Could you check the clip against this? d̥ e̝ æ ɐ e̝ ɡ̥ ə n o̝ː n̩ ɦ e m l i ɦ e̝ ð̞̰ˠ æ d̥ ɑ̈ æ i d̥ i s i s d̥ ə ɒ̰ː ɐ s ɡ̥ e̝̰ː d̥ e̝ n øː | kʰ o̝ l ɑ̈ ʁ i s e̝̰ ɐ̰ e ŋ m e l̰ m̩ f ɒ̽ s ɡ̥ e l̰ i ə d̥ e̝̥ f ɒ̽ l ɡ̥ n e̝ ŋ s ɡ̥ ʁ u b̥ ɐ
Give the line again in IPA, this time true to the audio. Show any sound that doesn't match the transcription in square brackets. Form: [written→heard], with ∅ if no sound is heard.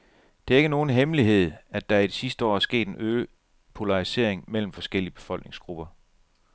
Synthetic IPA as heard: d̥ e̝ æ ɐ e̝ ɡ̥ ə n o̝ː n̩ ɦ e m l i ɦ e̝ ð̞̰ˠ æ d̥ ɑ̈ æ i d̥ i s i s d̥ ə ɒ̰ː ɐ s ɡ̥ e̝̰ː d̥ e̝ n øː | [kʰ→pʰ] o̝ l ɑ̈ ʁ i s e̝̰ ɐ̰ e ŋ m e l̰ m̩ f ɒ̽ s ɡ̥ e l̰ i ə [d̥→b̥] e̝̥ f ɒ̽ l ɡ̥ n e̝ ŋ s ɡ̥ ʁ u b̥ ɐ